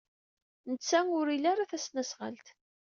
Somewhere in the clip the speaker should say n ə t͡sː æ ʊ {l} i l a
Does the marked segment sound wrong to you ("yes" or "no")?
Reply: yes